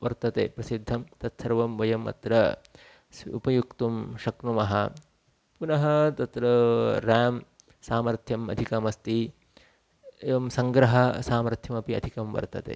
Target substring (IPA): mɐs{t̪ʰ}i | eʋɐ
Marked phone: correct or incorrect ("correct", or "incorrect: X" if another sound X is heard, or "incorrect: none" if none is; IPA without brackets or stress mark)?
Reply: incorrect: t̪